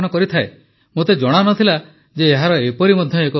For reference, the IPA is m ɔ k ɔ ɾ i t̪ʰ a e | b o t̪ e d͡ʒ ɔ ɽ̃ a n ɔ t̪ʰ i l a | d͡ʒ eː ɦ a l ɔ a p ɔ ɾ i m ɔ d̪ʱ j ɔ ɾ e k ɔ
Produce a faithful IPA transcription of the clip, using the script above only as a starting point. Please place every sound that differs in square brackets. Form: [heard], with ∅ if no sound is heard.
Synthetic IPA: [n] ɔ k ɔ ɾ i t̪ʰ a e | [m] o t̪ e d͡ʒ ɔ ɽ̃ a n ɔ t̪ʰ i l a | d͡ʒ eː ɦ a [ɾ] ɔ [e] p ɔ ɾ i m ɔ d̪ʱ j ɔ [∅] e k ɔ